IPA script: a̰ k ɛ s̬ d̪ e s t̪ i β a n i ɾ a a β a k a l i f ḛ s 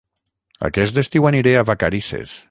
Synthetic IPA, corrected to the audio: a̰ k ɛ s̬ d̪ e s t̪ i w a n i ɾ e a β a k a ɾ i s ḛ s